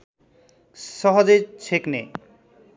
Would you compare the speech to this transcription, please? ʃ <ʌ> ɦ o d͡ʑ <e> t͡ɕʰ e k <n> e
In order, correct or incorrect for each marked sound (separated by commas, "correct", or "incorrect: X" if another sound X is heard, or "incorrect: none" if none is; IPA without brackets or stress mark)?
incorrect: ɔ, correct, correct